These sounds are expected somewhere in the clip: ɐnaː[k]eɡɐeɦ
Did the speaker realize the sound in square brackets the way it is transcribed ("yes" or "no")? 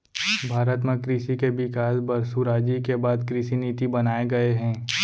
no